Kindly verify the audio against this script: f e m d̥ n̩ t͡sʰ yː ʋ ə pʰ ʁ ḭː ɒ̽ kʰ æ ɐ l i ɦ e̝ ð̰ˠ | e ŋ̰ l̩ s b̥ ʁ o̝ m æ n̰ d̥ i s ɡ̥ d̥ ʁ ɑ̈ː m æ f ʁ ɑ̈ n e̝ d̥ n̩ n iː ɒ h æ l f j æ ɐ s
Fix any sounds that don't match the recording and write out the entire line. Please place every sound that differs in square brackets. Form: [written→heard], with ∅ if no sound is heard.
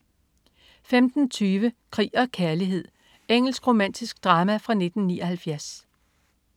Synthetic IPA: f e m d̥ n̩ t͡sʰ yː ʋ ə [pʰ→kʰ] ʁ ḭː ɒ̽ kʰ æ ɐ l i ɦ e̝ ð̰ˠ | e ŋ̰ l̩ s [b̥→ɡ̥] ʁ o̝ m æ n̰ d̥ i s ɡ̥ d̥ ʁ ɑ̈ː m æ f ʁ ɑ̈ n e̝ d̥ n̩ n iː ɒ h æ l f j æ ɐ s